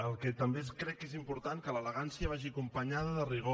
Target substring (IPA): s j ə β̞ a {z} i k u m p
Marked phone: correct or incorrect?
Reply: incorrect